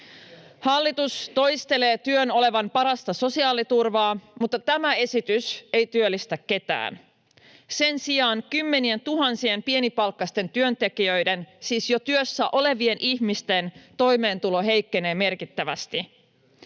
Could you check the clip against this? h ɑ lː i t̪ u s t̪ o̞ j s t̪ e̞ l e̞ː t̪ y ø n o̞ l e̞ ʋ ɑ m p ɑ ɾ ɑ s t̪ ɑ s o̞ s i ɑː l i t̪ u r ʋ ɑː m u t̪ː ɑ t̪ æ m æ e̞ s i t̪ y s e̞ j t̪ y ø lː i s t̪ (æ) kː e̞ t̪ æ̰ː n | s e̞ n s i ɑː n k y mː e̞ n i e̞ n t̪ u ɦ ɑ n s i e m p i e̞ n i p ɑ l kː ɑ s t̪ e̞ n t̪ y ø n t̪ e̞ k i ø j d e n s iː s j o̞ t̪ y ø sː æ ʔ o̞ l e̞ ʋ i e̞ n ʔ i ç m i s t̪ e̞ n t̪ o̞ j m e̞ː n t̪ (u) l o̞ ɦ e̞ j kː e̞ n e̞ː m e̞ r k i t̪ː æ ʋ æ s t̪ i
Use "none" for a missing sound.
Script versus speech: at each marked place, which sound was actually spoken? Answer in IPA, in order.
æ, u

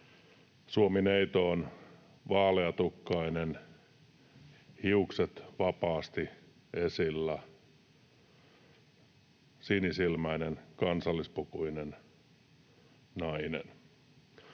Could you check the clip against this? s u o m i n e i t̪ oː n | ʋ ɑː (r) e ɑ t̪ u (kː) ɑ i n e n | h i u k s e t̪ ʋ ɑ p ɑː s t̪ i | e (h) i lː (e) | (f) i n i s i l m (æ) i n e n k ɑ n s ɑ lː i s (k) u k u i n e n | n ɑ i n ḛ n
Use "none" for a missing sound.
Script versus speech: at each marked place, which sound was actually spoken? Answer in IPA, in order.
l, kː, s, æ, s, æ, p

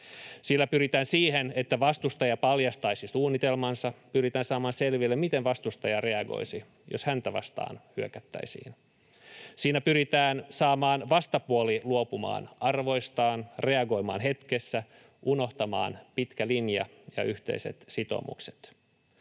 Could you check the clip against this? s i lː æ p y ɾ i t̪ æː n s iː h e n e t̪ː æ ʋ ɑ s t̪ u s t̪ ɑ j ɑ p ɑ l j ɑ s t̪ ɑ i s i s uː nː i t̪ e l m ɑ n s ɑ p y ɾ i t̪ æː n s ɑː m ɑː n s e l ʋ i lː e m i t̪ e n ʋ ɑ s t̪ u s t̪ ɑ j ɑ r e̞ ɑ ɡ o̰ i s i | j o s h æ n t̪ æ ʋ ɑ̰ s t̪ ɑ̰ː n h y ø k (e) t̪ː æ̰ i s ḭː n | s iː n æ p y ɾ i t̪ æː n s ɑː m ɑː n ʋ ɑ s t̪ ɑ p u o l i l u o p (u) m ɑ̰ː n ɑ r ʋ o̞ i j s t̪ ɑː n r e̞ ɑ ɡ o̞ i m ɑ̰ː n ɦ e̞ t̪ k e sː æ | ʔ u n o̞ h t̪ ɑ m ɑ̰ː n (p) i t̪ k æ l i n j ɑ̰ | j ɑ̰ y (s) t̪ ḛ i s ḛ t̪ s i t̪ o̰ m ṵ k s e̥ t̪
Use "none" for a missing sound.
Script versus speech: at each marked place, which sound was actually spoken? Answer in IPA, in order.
æ, u, p, h

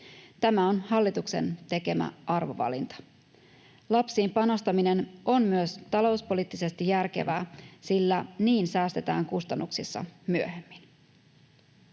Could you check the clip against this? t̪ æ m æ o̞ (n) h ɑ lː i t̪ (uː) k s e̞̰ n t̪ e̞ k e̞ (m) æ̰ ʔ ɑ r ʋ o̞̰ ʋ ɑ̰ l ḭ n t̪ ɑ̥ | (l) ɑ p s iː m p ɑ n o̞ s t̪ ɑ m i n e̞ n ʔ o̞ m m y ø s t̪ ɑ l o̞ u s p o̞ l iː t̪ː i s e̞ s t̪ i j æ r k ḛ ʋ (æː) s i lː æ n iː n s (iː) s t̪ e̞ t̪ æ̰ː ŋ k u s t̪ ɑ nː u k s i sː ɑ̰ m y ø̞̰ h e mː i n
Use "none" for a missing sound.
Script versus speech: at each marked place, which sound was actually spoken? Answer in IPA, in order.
n, u, m, l, æː, æː

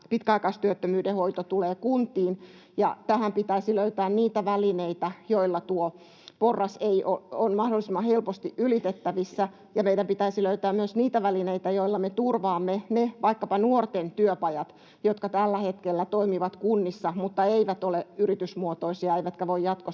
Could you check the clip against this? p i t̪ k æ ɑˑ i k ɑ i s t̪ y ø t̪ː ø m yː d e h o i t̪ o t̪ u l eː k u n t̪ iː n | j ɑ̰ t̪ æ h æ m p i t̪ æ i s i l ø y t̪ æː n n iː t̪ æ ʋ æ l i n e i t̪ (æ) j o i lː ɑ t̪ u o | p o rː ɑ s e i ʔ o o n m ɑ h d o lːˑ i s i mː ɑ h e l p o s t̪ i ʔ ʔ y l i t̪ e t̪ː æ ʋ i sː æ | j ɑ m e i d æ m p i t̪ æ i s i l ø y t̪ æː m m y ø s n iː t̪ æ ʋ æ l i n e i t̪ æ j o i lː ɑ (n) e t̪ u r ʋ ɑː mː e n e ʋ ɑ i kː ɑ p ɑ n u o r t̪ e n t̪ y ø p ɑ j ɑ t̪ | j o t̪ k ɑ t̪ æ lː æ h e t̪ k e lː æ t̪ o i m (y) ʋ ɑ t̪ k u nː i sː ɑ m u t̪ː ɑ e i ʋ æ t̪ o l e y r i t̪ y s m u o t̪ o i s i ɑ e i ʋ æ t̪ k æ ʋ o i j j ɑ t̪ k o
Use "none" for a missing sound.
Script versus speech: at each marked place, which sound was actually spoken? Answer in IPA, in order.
æ, m, i

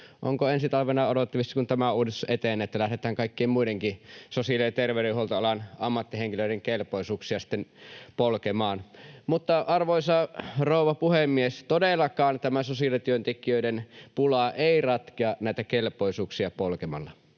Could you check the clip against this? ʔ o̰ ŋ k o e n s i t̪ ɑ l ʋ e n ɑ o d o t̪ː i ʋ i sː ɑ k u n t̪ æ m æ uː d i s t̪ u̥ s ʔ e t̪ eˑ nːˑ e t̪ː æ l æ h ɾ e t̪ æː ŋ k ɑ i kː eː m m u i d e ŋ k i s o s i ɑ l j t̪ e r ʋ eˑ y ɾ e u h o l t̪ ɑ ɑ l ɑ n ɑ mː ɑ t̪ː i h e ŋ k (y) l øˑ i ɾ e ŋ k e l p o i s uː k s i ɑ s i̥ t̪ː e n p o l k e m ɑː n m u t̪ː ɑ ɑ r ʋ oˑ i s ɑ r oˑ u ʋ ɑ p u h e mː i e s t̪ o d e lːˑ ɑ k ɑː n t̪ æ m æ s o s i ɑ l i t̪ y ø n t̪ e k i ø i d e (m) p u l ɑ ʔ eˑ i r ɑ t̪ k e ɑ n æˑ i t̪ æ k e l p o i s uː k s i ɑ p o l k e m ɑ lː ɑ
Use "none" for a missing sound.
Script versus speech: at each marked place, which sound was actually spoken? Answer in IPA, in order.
i, n

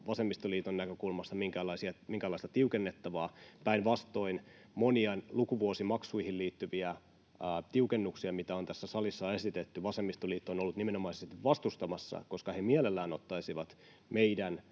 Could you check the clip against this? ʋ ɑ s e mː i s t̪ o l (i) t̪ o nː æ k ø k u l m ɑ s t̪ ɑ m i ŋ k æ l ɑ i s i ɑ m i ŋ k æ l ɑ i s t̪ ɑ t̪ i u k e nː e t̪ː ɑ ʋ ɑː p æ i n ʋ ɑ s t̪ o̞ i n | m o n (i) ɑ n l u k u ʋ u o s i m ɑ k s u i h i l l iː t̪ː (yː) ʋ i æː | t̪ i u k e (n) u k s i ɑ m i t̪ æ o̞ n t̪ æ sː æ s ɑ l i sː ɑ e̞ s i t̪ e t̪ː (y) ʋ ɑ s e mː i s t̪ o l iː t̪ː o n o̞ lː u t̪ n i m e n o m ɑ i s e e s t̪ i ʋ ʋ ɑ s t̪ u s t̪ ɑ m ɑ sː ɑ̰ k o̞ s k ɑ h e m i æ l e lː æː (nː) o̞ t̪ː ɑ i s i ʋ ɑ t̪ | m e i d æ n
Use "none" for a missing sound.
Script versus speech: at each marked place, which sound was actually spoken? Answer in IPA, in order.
iː, i, y, nː, y, n

